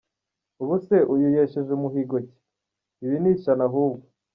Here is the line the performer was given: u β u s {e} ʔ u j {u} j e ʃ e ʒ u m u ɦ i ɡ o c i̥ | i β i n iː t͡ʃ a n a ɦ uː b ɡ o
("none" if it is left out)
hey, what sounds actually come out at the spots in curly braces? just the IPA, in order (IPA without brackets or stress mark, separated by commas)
e, u